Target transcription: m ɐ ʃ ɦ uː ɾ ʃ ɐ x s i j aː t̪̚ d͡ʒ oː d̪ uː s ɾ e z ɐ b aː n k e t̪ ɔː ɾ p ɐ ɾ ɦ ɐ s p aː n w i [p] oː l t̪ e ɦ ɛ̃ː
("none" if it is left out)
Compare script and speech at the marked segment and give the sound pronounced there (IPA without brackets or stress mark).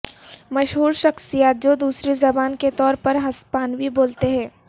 b